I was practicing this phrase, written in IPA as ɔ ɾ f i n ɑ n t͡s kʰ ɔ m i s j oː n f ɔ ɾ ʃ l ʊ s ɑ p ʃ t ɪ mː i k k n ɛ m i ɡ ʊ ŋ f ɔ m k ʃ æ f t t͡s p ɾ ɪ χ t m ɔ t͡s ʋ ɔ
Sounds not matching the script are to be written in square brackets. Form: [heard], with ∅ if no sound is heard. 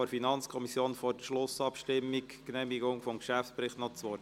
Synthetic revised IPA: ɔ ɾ f i n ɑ n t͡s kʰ ɔ m i s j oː n f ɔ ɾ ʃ l ʊ s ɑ p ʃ t ɪ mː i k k n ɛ m i ɡ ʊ ŋ f ɔ m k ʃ æ f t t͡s p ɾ ɪ χ t [n] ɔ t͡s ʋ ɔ